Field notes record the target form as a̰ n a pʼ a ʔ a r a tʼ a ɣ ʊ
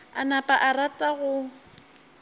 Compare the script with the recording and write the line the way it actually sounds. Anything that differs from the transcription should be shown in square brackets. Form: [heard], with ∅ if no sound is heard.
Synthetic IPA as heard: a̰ n a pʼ a ʔ a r a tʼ a ɣ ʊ